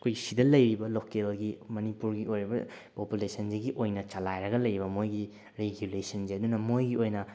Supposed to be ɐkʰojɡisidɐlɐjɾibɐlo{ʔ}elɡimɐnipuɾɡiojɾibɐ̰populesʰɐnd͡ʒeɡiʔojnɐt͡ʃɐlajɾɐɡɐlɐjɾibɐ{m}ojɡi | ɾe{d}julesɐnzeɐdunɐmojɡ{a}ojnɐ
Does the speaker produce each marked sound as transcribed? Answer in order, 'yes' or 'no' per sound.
no, yes, no, no

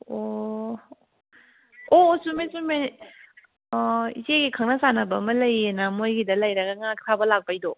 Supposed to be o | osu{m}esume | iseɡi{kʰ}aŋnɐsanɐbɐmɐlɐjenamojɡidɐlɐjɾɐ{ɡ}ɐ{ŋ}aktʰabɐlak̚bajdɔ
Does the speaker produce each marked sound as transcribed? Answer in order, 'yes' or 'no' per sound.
yes, yes, yes, yes

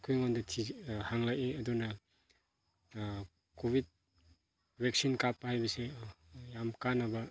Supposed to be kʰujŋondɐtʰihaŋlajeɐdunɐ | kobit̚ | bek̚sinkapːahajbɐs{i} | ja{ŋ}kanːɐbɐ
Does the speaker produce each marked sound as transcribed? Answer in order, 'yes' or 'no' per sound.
no, no

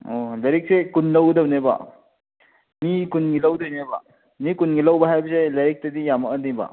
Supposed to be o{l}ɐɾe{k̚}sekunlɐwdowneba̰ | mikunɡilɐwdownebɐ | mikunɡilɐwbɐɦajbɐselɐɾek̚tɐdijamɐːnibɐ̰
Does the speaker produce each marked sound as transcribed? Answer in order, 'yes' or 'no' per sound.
yes, yes

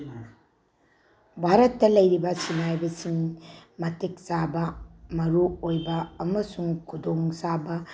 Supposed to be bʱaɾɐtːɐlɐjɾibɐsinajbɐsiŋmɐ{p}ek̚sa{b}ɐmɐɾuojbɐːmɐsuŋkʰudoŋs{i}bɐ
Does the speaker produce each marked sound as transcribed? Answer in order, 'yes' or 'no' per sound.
no, yes, no

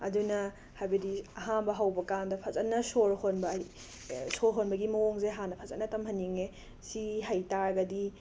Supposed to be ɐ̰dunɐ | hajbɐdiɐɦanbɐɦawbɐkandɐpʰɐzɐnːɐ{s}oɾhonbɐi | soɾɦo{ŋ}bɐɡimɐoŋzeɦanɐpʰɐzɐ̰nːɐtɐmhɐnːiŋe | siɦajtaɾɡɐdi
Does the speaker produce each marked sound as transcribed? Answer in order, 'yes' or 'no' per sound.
yes, no

